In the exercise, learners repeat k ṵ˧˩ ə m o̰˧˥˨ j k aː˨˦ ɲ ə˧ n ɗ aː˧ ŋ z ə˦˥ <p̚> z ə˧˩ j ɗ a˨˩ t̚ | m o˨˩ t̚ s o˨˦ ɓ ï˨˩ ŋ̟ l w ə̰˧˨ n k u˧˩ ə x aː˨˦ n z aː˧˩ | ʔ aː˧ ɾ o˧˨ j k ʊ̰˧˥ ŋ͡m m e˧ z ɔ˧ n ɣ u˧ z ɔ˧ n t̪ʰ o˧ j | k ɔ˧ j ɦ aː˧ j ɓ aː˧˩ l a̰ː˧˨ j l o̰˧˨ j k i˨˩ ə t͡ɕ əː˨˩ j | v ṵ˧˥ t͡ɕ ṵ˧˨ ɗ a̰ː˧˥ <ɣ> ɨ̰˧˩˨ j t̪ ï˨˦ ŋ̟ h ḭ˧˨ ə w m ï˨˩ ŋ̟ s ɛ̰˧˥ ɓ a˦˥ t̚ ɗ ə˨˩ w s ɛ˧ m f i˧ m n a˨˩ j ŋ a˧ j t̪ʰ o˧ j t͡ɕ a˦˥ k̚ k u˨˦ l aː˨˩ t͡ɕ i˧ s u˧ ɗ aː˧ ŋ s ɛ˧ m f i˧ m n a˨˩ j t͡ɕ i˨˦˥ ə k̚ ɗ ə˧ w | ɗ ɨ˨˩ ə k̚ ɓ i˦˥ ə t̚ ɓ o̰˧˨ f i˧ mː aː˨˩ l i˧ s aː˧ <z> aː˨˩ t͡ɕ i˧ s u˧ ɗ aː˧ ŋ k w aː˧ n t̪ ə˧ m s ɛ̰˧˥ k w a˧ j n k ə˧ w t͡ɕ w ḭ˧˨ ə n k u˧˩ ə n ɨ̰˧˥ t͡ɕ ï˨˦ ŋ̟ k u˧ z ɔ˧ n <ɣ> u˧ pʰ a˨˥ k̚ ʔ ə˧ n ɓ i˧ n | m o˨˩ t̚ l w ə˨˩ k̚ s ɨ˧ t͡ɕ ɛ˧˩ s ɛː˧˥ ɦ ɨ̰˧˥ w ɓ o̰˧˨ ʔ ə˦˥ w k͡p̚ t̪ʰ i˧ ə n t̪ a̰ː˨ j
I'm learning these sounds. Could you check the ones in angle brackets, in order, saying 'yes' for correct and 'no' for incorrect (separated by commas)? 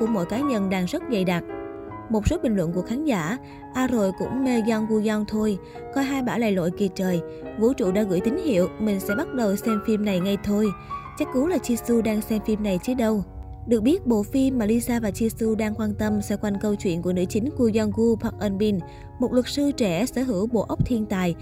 no, yes, no, yes